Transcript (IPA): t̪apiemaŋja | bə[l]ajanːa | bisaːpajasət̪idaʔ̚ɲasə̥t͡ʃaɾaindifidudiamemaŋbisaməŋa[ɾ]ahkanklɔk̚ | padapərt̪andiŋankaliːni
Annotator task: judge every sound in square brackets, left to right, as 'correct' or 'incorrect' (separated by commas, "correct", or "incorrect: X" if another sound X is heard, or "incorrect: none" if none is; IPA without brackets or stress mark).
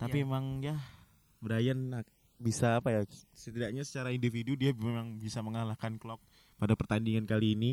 incorrect: ɾ, incorrect: l